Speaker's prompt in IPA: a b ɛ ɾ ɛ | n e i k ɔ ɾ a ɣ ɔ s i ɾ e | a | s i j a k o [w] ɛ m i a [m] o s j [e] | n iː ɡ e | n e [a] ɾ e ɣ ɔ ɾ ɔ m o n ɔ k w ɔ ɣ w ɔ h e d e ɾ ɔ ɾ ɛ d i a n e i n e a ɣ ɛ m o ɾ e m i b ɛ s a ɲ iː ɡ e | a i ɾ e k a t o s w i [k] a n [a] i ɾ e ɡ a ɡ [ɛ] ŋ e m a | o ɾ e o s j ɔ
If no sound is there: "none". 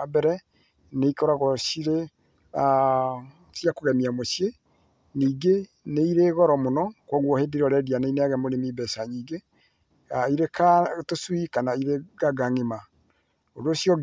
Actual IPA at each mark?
ɣ, m, e, i, k, a, a

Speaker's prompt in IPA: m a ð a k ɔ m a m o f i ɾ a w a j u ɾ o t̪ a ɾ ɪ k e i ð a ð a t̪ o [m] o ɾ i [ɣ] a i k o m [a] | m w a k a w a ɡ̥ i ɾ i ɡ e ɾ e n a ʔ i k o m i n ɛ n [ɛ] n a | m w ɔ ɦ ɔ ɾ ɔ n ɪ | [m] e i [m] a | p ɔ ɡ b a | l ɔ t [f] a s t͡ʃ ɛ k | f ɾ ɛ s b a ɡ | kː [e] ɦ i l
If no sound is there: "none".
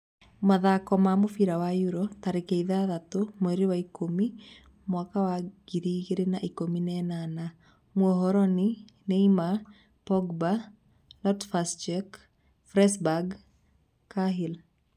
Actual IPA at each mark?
m, w, i, a, n, m, f, a

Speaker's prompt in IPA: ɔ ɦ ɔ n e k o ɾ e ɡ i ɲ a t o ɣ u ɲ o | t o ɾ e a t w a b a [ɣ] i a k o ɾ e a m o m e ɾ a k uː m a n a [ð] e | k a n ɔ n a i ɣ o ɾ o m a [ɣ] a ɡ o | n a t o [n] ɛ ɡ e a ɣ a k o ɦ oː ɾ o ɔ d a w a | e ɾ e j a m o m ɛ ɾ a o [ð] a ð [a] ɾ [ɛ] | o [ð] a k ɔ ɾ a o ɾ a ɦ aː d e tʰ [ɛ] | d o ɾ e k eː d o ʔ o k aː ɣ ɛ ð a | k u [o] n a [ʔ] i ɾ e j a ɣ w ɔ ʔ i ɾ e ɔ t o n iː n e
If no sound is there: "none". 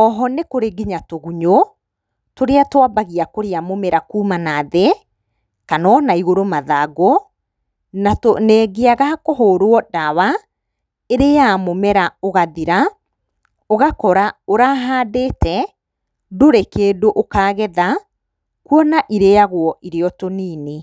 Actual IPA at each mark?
ɣ, ð, ð, n, ɣ, i, a, ɣ, ɛ, ɔ, ʔ

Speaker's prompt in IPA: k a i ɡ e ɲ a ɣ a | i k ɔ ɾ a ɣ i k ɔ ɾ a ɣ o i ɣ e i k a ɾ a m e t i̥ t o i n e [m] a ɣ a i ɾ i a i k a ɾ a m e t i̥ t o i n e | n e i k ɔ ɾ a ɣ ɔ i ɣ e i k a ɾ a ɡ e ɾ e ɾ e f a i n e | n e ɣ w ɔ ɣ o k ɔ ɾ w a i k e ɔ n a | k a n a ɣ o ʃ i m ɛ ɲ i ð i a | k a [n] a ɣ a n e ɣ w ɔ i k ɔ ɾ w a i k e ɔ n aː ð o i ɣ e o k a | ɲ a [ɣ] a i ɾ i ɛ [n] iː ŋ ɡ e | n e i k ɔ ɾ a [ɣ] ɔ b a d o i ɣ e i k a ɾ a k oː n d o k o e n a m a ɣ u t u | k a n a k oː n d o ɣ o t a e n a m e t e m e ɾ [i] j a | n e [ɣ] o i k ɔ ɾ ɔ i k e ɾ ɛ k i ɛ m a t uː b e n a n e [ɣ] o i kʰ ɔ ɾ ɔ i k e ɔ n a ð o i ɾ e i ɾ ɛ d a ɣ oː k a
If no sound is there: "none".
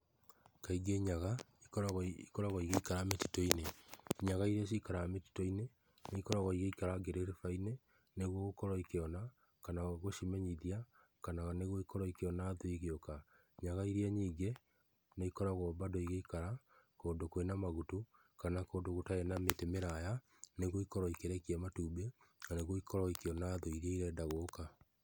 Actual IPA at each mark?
ɲ, n, ɣ, ɲ, ɣ, a, ɣ, ɣ

